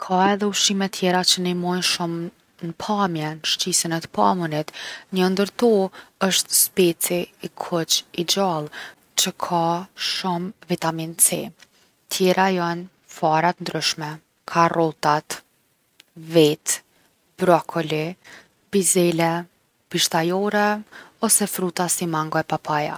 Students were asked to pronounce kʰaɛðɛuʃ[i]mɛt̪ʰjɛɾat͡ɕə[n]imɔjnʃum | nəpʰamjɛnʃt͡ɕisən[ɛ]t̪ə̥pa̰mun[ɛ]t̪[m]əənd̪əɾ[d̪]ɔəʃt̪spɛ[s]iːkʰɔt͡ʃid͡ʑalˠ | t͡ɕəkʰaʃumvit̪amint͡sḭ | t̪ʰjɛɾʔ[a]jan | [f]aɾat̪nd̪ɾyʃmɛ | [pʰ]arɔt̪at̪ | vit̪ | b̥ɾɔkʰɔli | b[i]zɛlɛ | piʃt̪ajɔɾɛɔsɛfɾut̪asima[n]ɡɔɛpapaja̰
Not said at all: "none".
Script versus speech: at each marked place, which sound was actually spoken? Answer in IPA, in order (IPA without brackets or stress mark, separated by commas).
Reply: i, n, ɛ, i, ɲ, t̪, t͡s, a, f, kʰ, i, ŋ